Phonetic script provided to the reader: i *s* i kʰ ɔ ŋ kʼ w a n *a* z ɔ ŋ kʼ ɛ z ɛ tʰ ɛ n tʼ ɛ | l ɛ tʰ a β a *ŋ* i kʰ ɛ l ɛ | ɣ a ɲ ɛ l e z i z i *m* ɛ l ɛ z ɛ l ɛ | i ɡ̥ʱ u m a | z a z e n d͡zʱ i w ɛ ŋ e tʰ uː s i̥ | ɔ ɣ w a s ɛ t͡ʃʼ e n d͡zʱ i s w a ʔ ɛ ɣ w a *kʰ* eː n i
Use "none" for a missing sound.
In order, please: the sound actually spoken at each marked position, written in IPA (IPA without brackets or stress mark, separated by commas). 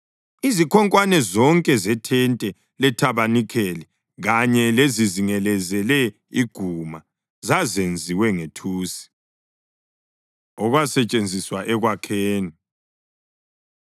z, ɛ, n, ŋ, kʰ